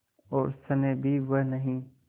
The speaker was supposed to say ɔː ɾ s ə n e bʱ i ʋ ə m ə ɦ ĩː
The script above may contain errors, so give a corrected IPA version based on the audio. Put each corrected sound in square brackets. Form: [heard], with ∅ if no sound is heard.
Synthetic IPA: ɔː ɾ s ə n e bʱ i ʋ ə [n] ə ɦ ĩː